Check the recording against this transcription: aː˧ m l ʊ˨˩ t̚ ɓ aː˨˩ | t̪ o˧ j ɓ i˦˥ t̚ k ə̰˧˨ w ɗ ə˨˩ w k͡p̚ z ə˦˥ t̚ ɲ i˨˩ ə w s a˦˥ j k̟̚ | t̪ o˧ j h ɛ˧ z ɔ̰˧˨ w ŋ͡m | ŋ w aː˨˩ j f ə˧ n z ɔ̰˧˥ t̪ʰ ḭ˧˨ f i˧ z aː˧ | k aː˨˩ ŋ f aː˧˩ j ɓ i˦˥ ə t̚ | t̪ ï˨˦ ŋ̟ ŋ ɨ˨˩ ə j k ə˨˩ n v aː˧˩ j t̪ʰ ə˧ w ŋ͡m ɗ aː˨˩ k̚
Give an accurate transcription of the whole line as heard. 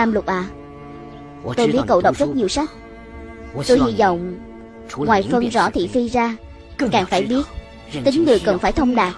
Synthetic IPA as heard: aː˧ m l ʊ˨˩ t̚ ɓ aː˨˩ | t̪ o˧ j ɓ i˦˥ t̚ k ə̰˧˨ w ɗ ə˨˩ w k͡p̚ z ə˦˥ t̚ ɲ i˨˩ ə w s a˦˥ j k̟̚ | t̪ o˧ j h i˧ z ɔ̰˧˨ w ŋ͡m | ŋ w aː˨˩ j f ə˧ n z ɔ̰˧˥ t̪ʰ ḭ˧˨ f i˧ z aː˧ | k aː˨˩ ŋ f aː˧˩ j ɓ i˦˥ ə t̚ | t̪ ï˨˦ ŋ̟ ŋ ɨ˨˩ ə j k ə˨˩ n f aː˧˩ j t̪ʰ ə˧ w ŋ͡m ɗ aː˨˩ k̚